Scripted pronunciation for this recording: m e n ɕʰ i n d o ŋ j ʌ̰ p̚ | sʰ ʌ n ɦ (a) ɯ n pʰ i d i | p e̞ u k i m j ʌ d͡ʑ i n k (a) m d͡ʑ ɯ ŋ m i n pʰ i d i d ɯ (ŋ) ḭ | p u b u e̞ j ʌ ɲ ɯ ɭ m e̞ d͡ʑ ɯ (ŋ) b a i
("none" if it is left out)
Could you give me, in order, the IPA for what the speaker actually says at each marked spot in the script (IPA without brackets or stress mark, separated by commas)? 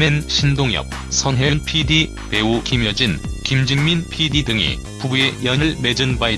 e, i, ŋ, n